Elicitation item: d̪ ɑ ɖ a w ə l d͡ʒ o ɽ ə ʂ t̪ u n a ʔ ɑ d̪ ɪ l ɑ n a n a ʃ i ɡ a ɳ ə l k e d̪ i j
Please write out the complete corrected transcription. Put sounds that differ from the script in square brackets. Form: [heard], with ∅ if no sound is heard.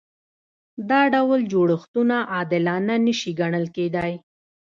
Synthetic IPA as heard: d̪ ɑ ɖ a w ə l d͡ʒ o ɽ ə [x] t̪ u n a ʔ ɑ d̪ ɪ l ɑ n a n [ə] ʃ i ɡ a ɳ ə l k e d̪ [a] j